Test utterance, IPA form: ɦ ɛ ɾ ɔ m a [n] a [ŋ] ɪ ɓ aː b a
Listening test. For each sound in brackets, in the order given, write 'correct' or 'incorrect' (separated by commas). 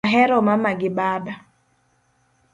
incorrect, incorrect